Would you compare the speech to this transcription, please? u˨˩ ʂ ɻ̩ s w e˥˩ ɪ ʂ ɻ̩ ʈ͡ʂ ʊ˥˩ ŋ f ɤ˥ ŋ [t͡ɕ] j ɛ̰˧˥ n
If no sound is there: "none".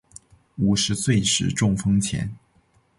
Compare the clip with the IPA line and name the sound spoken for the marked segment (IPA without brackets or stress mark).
t͡ɕʰ